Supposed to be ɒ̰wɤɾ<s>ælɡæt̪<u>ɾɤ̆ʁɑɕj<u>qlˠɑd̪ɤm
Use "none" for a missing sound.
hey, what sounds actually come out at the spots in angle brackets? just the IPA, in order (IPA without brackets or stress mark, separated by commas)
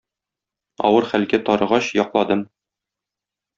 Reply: χ, ɒ, ɒ